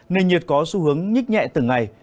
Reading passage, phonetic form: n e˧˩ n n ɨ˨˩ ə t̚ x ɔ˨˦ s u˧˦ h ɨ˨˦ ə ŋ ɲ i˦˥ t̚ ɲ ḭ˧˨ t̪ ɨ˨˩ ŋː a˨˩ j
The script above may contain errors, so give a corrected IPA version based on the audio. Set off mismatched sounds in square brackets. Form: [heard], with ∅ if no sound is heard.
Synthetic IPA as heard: n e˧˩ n [ɲ] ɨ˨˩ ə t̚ [k] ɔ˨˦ s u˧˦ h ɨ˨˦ ə ŋ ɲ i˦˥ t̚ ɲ [ɛ̰˧˨] t̪ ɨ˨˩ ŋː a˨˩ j